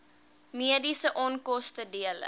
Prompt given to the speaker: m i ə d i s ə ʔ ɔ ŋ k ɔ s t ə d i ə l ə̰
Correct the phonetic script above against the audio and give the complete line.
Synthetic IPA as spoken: m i ə d i s ə ʔ ɔ n k ɔ s t ə d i ə l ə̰